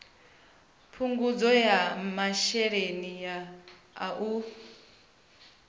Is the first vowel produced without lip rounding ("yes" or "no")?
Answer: no